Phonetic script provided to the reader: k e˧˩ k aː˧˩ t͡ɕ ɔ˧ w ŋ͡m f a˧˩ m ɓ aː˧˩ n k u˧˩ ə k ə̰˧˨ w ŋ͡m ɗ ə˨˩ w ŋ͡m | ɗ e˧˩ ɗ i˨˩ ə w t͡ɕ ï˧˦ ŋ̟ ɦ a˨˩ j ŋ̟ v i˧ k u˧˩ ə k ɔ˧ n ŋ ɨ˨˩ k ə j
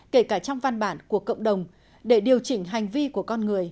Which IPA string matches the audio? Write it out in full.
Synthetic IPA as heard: k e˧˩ k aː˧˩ t͡ɕ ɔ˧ w ŋ͡m v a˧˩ n ɓ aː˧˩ n k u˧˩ ə k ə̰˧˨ w ŋ͡m ɗ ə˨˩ w ŋ͡m | ɗ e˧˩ ɗ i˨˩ ə w t͡ɕ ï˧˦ ŋ̟ ɦ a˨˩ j ŋ̟ v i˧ k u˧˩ ə k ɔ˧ n ŋ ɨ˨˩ ə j